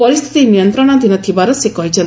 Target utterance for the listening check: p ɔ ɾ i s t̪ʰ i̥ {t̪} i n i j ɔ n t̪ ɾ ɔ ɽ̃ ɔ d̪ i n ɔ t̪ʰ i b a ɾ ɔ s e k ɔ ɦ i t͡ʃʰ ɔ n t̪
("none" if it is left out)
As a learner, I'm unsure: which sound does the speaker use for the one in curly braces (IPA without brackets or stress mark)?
t̪